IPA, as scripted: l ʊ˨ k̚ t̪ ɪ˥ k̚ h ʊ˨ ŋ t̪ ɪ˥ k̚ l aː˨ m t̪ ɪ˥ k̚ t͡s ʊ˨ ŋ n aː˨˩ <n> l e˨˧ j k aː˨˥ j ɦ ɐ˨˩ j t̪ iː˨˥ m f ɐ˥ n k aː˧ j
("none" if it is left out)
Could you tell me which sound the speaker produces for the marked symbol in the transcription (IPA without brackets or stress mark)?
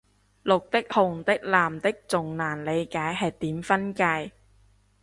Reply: n